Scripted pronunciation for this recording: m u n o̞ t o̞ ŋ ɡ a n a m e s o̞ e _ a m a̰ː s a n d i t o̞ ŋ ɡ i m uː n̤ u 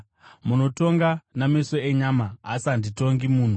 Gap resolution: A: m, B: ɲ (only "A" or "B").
B